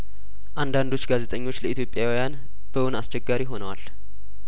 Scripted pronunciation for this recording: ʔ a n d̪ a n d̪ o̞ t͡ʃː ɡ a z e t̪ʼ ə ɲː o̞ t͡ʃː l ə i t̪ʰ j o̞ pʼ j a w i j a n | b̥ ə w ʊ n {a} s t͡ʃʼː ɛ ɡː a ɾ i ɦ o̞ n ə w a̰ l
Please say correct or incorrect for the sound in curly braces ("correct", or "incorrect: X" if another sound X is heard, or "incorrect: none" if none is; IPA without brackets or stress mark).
correct